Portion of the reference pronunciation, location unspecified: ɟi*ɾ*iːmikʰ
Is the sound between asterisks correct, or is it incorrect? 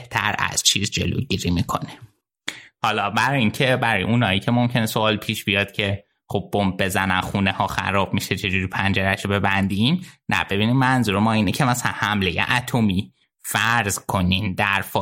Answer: correct